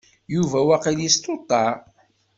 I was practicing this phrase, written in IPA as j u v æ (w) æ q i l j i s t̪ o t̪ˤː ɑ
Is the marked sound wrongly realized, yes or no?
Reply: no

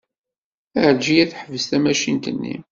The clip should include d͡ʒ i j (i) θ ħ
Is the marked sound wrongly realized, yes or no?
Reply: yes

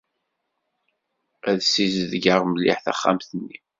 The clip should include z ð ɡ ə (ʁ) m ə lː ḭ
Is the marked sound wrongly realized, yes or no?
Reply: no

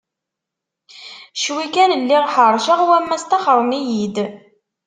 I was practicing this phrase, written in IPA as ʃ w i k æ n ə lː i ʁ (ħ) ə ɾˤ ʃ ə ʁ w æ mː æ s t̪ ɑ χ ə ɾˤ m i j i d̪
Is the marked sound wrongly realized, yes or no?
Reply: no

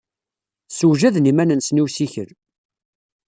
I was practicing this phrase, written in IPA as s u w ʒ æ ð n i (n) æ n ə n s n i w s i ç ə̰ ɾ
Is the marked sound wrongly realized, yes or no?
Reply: yes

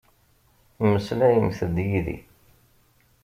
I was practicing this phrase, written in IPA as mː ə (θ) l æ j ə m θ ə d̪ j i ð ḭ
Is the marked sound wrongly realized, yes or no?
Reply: yes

